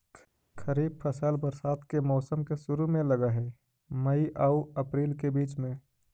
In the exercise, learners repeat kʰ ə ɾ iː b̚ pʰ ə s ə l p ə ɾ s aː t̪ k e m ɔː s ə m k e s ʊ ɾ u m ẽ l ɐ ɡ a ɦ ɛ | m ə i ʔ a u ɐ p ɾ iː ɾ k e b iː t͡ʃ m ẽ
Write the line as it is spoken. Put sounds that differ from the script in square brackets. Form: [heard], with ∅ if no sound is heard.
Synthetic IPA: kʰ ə ɾ iː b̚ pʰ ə s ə l [b] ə ɾ s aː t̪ k e m ɔː s ə m k e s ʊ ɾ u m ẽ l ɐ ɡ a ɦ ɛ | m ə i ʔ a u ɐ p ɾ iː [l] k e b iː t͡ʃ m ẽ